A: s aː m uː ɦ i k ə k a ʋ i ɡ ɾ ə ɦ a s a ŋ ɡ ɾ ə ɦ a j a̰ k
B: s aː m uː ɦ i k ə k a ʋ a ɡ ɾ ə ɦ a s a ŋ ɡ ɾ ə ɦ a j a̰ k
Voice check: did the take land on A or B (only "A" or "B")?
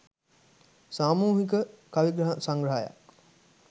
A